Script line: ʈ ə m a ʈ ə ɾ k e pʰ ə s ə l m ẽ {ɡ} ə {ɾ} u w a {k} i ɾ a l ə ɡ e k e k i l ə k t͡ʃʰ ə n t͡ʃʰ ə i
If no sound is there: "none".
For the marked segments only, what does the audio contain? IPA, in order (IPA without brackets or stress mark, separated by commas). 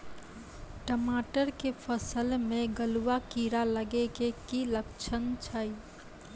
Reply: ɡ, l, k